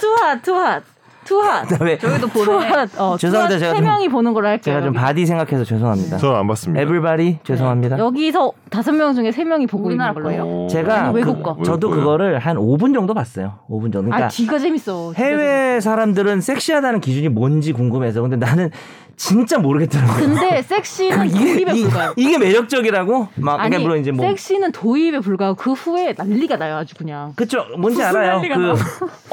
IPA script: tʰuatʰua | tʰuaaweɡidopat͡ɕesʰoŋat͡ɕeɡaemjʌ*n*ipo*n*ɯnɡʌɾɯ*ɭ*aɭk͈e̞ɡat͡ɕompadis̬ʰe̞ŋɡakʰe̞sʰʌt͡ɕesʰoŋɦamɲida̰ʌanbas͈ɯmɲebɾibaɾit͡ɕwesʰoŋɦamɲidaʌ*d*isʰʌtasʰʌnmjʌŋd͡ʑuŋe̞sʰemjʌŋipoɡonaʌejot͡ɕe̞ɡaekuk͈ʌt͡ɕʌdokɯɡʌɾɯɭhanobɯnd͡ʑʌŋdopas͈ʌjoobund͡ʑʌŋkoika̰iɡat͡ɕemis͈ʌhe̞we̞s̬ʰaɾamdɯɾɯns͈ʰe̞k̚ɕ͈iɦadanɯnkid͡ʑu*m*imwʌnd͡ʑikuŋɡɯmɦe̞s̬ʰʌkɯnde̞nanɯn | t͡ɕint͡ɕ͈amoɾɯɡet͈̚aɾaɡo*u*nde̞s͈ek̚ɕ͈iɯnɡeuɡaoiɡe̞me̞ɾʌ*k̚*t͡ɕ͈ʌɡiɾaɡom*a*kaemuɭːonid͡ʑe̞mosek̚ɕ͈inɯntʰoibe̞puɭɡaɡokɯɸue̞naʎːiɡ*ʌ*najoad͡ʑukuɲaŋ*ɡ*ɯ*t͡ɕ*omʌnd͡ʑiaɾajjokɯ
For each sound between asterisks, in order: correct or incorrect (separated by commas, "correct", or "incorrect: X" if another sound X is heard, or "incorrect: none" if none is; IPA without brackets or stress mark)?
incorrect: ŋ, correct, correct, incorrect: ɡ, incorrect: ɲ, incorrect: ɯ, correct, correct, incorrect: a, incorrect: k, incorrect: t͡ɕʰ